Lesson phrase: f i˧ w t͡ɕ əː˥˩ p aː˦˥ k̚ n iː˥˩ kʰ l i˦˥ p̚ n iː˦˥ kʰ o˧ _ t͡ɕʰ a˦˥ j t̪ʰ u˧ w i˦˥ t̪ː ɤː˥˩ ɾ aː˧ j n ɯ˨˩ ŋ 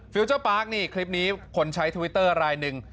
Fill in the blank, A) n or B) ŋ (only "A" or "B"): A